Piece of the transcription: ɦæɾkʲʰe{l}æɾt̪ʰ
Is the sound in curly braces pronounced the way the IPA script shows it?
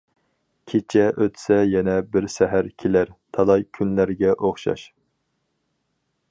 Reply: yes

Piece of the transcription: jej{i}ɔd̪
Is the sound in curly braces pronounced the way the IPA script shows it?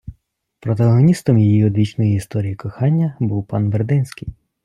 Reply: yes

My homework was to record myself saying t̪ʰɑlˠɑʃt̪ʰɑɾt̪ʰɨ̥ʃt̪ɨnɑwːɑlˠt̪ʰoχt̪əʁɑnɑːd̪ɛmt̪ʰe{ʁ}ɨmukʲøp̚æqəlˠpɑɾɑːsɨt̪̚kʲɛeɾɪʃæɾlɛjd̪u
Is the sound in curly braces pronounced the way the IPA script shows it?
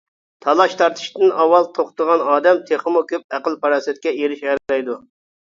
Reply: no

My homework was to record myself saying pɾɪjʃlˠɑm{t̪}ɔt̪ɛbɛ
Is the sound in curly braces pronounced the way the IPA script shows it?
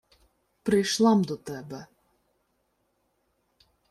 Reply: no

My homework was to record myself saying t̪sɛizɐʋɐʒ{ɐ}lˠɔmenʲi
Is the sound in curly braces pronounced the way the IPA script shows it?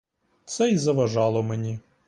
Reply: no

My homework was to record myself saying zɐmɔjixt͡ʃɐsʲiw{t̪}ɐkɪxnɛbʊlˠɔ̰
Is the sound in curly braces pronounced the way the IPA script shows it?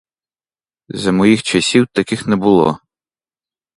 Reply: yes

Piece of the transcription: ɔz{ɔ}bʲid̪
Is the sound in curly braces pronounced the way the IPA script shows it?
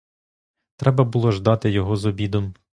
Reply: yes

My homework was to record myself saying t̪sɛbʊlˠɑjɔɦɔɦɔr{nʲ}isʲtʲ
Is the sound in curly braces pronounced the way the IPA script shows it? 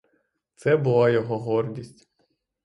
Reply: no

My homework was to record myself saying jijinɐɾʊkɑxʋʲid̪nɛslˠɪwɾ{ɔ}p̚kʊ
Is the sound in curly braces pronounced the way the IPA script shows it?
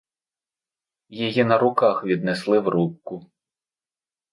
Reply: no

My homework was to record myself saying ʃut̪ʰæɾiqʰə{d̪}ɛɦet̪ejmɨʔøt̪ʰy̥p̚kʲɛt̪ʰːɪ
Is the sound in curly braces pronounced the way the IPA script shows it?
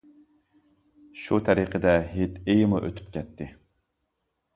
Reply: yes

